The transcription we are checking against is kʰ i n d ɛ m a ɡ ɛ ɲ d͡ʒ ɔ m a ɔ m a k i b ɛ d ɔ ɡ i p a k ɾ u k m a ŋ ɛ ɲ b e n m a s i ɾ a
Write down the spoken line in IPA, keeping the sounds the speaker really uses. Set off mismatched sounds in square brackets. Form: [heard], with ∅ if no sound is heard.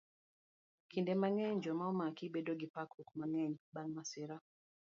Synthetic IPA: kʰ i n d ɛ m a [ŋ] ɛ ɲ d͡ʒ ɔ m a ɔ m a k i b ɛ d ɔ ɡ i p a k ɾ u k m a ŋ ɛ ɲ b [a] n m a s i ɾ a